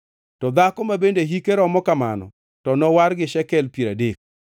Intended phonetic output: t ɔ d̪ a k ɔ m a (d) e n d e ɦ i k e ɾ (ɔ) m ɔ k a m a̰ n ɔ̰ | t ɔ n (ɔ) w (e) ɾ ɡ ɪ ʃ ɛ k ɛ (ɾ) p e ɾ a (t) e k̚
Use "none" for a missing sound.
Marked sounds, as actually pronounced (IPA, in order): b, ɔ, ɔ, a, l, d

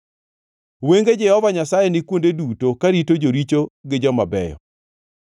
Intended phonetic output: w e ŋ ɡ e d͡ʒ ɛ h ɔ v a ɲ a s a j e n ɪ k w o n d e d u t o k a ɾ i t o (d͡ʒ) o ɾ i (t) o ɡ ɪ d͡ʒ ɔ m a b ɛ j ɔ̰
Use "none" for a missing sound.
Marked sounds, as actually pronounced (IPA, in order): d͡ʒ, t͡ʃ

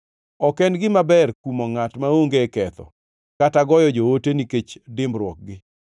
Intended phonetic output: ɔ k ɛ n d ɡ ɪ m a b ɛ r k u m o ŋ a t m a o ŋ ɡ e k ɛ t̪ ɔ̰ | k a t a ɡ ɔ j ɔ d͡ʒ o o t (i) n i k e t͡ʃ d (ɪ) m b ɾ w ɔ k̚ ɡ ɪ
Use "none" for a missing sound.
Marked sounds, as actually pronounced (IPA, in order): e, ɪ

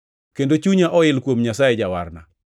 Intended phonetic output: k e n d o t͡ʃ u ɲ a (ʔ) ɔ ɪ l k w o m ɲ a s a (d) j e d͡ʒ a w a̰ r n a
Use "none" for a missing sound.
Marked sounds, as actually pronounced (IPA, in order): ʔ, none

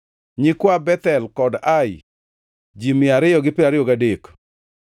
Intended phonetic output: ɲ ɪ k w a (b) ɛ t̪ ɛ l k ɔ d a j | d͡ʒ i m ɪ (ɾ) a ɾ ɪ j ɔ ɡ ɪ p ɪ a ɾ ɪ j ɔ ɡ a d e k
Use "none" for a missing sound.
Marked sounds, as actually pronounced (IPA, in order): b, none

